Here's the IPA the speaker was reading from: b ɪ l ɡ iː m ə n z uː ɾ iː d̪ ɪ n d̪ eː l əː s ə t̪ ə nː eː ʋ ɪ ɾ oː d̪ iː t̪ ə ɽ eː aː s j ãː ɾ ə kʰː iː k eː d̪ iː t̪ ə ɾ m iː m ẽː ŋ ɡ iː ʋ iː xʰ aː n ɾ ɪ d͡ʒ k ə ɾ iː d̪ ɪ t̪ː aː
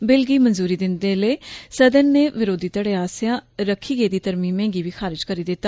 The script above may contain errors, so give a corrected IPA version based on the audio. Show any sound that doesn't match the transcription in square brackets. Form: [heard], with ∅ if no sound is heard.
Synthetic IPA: b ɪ l ɡ iː m ə n z uː ɾ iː d̪ ɪ n d̪ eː l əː s ə [d̪] ə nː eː ʋ ɪ ɾ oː d̪ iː t̪ ə ɽ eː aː s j ãː ɾ ə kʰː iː [ɡ] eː d̪ iː t̪ ə ɾ m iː m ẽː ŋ ɡ iː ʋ iː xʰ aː [∅] ɾ ɪ d͡ʒ k ə ɾ iː d̪ ɪ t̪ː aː

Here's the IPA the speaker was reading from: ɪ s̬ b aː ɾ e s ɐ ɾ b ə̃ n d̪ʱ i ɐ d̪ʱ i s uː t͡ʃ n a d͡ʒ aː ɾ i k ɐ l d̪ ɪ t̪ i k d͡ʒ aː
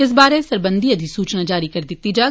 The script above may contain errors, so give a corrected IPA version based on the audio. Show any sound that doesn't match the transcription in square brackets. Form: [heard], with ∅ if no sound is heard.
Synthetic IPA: ɪ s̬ b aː ɾ e s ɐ ɾ b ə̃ n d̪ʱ i ɐ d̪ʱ i s uː t͡ʃ n a d͡ʒ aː ɾ i k ɐ [ɾ] d̪ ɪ t̪ i [∅] d͡ʒ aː

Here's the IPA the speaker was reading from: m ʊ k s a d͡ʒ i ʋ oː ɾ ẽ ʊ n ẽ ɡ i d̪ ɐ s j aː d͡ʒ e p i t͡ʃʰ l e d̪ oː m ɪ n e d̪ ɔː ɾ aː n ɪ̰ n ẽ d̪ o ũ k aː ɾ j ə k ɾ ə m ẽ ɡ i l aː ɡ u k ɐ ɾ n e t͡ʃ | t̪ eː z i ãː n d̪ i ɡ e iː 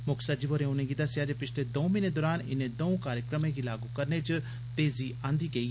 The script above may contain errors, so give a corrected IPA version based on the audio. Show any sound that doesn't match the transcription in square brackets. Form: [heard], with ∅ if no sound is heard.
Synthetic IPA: m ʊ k s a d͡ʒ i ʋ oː ɾ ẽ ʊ n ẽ ɡ i d̪ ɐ s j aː d͡ʒ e p [ɪ] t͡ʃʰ l e d̪ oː m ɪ n e d̪ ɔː ɾ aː n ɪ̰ n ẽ d̪ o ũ k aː ɾ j ə k ɾ ə m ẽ ɡ i l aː ɡ u k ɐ ɾ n e t͡ʃ | t̪ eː z i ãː n d̪ i ɡ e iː

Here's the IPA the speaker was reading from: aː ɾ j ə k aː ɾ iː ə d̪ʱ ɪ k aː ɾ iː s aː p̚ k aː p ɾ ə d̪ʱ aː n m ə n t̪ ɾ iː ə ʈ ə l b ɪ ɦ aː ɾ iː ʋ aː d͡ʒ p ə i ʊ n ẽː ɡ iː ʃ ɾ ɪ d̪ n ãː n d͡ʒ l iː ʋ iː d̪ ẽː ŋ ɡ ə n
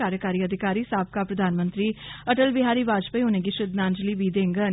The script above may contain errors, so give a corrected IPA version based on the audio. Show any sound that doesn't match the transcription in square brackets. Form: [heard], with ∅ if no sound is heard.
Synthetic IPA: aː ɾ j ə k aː ɾ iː ə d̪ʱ ɪ k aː ɾ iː s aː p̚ k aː p ɾ ə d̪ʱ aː n m ə n t̪ ɾ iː ə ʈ ə l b ɪ ɦ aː ɾ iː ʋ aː d͡ʒ p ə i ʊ n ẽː ɡ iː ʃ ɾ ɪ d̪ n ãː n d͡ʒ l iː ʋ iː d̪ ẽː ŋ ɡ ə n

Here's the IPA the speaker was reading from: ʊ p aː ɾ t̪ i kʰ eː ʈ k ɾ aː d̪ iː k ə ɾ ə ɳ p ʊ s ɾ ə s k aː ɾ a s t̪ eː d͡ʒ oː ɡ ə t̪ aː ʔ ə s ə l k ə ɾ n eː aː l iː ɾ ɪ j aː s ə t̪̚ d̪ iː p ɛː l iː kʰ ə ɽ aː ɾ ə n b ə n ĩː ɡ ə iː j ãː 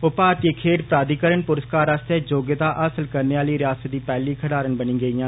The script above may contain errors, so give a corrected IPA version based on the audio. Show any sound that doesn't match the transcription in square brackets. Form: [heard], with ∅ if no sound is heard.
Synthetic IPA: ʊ p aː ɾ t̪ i kʰ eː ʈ [p] ɾ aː d̪ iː k ə ɾ ə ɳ p ʊ [∅] ɾ ə s k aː ɾ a s t̪ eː d͡ʒ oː ɡ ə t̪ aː ʔ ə s ə l k ə ɾ n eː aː l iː ɾ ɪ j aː s ə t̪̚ d̪ iː p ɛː l iː kʰ ə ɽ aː ɾ ə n b ə n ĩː ɡ ə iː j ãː

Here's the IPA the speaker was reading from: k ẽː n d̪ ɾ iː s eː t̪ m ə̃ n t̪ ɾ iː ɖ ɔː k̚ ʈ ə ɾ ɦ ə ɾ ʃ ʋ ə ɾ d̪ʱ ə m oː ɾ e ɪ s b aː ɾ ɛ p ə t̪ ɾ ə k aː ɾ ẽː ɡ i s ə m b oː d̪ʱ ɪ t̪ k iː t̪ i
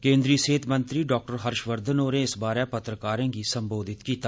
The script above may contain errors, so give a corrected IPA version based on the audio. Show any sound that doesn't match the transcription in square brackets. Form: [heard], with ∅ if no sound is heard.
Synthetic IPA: k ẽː n d̪ ɾ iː s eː t̪ m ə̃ n t̪ ɾ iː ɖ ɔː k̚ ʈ ə ɾ ɦ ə ɾ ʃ ʋ ə ɾ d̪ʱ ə [n] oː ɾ e ɪ s b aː ɾ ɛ p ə t̪ ɾ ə k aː ɾ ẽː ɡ i s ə m b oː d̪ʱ ɪ t̪ k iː t̪ [a]

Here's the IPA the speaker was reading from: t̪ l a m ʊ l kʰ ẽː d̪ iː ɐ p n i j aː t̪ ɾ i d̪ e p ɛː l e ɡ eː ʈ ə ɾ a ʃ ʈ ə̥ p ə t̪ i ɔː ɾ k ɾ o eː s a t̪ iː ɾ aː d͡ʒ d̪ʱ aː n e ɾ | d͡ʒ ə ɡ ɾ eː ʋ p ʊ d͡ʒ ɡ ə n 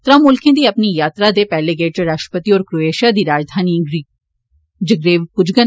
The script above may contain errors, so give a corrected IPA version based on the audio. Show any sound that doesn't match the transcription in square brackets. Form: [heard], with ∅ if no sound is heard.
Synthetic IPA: t̪ [ɾ] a m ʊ l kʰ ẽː d̪ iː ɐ p n i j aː t̪ ɾ [a] d̪ e p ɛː l e ɡ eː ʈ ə ɾ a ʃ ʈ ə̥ p ə t̪ i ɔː ɾ k ɾ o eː [ʃ] a [d̪] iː ɾ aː d͡ʒ d̪ʱ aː n [i] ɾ | d͡ʒ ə ɡ ɾ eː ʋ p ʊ d͡ʒ ɡ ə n

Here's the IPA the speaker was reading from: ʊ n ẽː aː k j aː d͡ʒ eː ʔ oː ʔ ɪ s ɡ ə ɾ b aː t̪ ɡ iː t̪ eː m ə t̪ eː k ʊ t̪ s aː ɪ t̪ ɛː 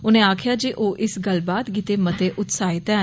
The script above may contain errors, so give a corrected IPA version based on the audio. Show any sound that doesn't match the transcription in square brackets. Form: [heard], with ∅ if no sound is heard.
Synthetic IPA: ʊ n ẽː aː [kʰ] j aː d͡ʒ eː ʔ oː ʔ ɪ s ɡ ə [l] b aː t̪ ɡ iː t̪ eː m ə t̪ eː [ʔ] ʊ t̪ s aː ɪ t̪ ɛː

